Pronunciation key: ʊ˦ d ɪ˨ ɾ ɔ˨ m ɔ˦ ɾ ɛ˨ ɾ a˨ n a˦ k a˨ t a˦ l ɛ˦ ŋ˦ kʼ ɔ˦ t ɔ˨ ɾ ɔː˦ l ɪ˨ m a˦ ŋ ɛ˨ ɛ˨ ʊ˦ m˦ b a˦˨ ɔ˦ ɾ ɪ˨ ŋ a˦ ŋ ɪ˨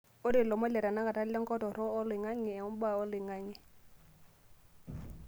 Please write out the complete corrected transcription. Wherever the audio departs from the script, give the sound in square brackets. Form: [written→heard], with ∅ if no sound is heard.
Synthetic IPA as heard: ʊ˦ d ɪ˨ [ɾ→l] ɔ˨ m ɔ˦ [ɾ→l] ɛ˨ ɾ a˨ n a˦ k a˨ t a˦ l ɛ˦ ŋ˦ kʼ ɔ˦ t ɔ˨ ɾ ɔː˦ l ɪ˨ [m→ŋ] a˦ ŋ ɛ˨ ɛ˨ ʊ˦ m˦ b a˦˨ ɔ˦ [ɾ→l] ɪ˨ ŋ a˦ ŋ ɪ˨